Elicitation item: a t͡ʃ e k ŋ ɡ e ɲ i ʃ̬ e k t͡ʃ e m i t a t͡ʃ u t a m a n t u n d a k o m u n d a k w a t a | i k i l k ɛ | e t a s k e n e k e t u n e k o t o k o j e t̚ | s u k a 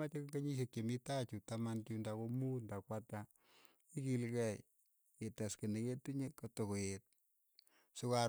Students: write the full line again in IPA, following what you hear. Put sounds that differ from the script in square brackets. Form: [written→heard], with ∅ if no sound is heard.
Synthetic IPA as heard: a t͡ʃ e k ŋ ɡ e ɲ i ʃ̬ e k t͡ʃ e m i t a t͡ʃ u t a m a n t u n d a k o m u n d a k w a t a | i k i l k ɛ | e t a s k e n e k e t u [n→ɲ] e k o t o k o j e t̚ | s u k a